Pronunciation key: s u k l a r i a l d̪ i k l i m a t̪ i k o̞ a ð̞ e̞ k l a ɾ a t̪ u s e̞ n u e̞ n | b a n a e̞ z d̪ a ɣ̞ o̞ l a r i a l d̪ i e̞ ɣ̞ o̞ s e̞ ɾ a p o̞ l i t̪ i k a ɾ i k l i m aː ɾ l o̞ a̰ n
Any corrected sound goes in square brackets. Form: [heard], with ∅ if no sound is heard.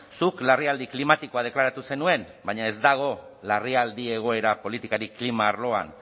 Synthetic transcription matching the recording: s u k l a r i a l d̪ i k l i m a t̪ i k o̞ a ð̞ e̞ k l a ɾ a t̪ u s e̞ n u e̞ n | b a [ɲ] a e̞ z d̪ a ɣ̞ o̞ l a r i a l d̪ i e̞ ɣ̞ o̞ [∅] e̞ ɾ a p o̞ l i t̪ i k a ɾ i k l i m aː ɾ l o̞ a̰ n